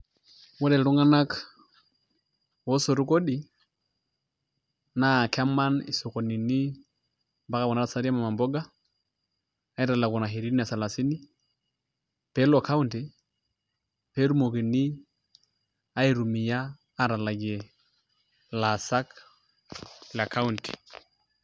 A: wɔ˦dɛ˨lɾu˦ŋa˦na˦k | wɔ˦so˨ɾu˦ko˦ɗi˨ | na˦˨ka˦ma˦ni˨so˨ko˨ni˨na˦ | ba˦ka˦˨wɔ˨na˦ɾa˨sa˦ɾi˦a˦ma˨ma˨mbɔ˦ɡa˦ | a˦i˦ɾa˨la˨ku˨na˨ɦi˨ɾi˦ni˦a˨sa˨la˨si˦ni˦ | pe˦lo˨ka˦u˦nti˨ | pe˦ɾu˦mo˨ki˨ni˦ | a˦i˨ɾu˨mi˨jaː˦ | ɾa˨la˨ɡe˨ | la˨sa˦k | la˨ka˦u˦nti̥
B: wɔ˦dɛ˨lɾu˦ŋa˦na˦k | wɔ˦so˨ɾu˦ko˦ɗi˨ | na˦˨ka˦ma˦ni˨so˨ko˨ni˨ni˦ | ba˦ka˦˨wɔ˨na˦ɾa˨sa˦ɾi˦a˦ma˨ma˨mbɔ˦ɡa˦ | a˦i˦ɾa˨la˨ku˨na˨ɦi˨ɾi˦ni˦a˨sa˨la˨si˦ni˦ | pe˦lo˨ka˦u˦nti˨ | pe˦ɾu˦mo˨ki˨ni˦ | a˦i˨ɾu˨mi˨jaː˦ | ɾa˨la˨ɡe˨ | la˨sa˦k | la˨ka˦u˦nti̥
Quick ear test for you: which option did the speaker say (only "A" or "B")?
B